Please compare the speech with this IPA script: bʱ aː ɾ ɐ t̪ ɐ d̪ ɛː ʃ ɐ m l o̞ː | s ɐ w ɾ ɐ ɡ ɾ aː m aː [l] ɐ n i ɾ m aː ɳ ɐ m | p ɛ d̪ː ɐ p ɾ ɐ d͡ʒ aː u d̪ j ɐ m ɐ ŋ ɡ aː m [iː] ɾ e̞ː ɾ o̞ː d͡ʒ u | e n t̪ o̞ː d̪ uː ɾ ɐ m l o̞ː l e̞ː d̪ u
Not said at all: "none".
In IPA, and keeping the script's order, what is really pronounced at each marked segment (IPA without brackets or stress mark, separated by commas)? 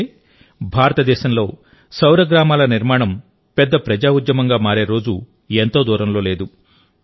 l, aː